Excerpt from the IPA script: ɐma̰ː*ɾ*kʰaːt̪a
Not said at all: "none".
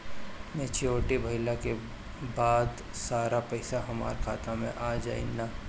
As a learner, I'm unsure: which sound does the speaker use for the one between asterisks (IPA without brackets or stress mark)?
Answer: ɾ